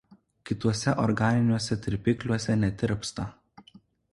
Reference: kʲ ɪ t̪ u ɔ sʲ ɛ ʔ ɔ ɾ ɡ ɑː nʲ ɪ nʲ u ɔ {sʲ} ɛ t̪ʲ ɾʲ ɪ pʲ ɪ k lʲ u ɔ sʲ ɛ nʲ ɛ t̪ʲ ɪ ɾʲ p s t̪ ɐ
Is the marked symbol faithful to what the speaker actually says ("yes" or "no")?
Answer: yes